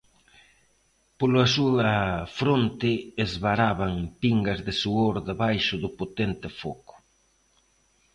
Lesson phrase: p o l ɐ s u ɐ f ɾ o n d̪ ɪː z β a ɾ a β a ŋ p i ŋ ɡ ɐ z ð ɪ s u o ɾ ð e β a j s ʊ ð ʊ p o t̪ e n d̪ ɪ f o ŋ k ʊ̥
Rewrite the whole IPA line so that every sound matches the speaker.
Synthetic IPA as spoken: p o l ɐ s u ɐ f ɾ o n t̪ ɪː z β a ɾ a β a ŋ p i ŋ ɡ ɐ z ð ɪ s u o ɾ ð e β a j ʃ ʊ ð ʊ p o t̪ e n t̪ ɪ f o k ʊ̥